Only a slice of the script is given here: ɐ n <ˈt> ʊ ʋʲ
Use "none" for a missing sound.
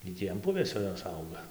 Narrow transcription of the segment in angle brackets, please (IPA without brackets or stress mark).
p